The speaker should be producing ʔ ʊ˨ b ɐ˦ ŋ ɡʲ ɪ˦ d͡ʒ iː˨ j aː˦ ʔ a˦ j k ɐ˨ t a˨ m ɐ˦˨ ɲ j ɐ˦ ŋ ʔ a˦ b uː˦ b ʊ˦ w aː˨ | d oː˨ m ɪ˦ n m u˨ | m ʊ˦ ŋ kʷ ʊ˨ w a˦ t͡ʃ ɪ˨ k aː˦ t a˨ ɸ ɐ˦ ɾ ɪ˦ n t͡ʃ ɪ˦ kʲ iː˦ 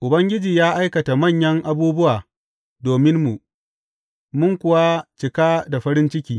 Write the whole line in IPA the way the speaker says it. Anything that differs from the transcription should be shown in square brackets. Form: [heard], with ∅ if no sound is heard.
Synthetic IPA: ʔ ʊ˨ b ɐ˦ ŋ ɡʲ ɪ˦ d͡ʒ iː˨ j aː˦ ʔ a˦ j k ɐ˨ t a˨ m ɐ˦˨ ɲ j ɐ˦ ŋ ʔ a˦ b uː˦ b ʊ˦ w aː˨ | d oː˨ m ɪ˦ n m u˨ | m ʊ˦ ŋ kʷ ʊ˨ w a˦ t͡ʃ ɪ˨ k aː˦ [d] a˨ ɸ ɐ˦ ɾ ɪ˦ n t͡ʃ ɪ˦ kʲ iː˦